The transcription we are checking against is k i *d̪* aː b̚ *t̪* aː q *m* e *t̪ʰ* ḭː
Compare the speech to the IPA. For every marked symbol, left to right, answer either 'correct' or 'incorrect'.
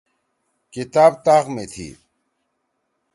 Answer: incorrect, correct, correct, correct

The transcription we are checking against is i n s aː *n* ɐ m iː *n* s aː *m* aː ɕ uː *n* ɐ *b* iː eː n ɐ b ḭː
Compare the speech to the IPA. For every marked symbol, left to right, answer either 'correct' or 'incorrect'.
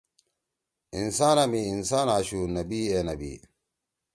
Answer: correct, correct, incorrect, correct, correct

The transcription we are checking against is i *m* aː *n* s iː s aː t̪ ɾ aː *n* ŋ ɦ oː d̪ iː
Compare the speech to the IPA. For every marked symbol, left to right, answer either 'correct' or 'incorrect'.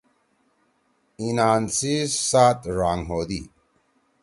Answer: incorrect, correct, incorrect

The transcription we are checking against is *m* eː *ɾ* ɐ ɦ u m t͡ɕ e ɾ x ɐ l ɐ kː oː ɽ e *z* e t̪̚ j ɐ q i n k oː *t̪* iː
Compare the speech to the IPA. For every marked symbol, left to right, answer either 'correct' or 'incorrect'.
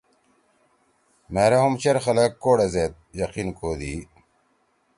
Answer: correct, correct, correct, incorrect

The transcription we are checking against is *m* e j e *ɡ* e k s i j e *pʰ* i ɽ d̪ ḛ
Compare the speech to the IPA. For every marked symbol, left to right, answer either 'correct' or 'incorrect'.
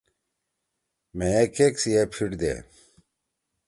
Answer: correct, incorrect, correct

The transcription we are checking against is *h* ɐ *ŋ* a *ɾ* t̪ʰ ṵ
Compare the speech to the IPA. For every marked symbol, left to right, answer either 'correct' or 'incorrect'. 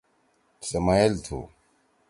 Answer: incorrect, incorrect, incorrect

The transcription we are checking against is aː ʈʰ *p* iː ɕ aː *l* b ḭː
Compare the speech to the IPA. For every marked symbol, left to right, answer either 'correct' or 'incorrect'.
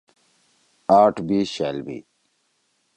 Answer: incorrect, correct

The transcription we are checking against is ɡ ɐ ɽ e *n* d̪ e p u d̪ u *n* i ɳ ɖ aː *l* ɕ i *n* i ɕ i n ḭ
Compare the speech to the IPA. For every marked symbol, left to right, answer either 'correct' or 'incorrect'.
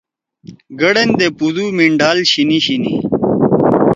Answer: correct, incorrect, correct, correct

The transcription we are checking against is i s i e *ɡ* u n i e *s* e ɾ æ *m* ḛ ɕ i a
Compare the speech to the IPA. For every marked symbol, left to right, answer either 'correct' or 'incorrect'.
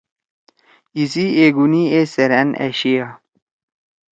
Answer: correct, correct, incorrect

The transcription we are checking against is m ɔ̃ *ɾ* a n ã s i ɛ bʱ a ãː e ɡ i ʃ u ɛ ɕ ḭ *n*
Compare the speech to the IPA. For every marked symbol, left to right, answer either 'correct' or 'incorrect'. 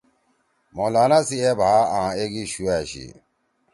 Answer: incorrect, incorrect

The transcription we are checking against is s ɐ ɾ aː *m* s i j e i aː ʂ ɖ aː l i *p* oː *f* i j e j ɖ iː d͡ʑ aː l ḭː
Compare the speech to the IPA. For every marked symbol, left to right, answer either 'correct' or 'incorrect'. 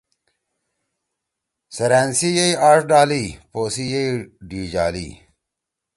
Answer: incorrect, correct, incorrect

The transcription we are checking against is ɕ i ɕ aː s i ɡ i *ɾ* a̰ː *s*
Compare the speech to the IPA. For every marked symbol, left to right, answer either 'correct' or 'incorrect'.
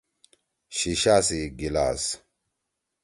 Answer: incorrect, correct

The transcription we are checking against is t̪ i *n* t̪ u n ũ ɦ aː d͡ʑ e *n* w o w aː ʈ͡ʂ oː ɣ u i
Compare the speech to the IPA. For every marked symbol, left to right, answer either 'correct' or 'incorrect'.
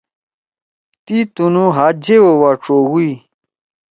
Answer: incorrect, incorrect

